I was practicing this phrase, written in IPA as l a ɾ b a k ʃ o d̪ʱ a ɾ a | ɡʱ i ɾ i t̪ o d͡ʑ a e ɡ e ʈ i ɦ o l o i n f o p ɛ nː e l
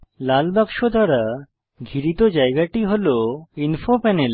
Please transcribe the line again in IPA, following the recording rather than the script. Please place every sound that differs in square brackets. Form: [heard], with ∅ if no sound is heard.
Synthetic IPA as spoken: l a [l] b a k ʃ o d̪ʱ a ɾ a | ɡʱ i ɾ i t̪ o d͡ʑ a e ɡ [a] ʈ i ɦ o l o i n f o p ɛ [n] e l